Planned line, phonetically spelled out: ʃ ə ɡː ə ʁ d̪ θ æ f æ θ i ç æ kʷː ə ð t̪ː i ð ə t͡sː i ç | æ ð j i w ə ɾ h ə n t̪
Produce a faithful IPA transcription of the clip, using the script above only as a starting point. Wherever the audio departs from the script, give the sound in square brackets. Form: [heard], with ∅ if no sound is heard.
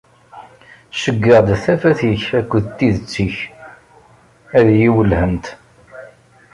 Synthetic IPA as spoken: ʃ ə ɡː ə ʁ d̪ θ æ f æ θ i ç æ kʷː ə ð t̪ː i ð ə t͡sː i ç | æ ð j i w ə [l] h ə n t̪

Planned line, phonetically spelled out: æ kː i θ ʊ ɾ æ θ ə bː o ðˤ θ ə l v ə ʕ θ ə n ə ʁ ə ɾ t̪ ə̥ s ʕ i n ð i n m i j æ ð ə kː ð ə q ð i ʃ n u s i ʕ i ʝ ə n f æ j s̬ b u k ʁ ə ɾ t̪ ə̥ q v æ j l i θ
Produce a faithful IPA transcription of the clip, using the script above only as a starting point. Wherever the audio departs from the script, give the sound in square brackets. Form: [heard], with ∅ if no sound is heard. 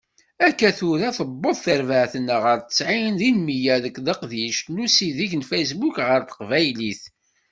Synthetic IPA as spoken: æ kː [æ] θ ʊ ɾ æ θ ə bː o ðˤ θ ə [ɾ] v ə ʕ θ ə n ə ʁ ə ɾ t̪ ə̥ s ʕ i n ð i n m i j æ ð ə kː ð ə q ð i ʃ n u s i [ð] i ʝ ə n f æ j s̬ b u k ʁ ə ɾ t̪ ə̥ q v æ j l i θ

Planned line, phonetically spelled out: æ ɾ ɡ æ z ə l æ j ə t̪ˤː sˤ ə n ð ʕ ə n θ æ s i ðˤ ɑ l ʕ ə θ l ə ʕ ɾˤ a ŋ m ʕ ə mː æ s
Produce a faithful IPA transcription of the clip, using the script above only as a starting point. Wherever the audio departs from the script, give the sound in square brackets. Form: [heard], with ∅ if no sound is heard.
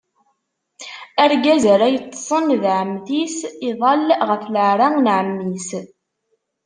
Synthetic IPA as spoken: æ ɾ ɡ æ z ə [ɾ] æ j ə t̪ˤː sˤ ə n ð ʕ ə [m] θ [i] s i ðˤ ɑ l [ʁ] ə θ l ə ʕ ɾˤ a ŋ [n] ʕ ə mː [i] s

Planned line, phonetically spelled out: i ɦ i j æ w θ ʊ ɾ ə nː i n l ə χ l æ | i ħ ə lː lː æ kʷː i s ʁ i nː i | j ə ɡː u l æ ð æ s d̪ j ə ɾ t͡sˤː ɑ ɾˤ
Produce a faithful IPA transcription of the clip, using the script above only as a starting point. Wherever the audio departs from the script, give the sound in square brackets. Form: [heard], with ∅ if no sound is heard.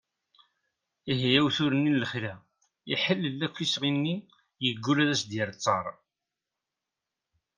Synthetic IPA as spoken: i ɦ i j æ w θ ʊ ɾ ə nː i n l ə χ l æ | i ħ ə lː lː æ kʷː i s ʁ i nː i | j ə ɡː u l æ ð æ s d̪ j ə ɾ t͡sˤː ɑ ɾˤ

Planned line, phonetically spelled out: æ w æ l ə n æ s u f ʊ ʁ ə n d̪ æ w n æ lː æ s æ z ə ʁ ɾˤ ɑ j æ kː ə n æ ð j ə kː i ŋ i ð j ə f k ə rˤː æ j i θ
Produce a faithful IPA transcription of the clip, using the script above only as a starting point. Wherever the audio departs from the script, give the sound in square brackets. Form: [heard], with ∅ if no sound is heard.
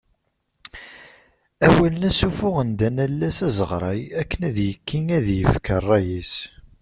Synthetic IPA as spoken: æ w æ l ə n æ s u f ʊ ʁ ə n d̪ æ [∅] n æ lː æ s æ z ə ʁ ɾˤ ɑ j æ kː ə n æ ð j ə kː i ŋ [æ] ð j ə f k ə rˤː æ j i [s]

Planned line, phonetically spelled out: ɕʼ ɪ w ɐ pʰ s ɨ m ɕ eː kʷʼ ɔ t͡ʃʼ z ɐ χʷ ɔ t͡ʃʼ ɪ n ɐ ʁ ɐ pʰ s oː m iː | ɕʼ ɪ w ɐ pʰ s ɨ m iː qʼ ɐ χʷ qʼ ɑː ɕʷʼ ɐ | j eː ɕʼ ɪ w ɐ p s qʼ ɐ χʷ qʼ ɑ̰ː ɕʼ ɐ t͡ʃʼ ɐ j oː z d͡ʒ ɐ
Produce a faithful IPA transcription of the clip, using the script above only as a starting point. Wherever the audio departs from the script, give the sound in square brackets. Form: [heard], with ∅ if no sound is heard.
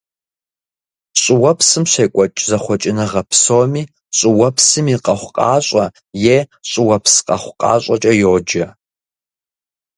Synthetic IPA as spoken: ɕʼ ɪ w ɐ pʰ s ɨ m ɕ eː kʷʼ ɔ t͡ʃʼ z ɐ χʷ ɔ t͡ʃʼ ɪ n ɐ ʁ ɐ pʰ s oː m iː | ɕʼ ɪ w ɐ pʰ s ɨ m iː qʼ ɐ χʷ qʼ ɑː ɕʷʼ ɐ | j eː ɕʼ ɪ w ɐ p s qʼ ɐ χʷ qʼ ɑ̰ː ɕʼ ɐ t͡ʃʼ ɐ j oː [∅] d͡ʒ ɐ

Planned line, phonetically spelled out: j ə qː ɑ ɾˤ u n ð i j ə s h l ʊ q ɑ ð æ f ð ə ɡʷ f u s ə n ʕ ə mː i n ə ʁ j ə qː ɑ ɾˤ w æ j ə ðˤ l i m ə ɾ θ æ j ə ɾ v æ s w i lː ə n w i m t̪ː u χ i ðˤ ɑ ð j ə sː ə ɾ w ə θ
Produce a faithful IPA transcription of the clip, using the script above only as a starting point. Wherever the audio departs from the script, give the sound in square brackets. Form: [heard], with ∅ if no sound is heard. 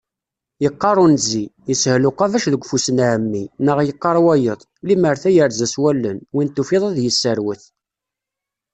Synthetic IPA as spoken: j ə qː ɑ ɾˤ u n [z] i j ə s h l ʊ q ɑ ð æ [ʃ] ð ə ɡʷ f u s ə n ʕ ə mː i n ə ʁ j ə qː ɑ ɾˤ w æ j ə ðˤ l i m ə ɾ θ æ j ə ɾ [z] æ s w [æ] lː ə n w i [n] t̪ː u [f] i ðˤ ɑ ð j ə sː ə ɾ w ə θ

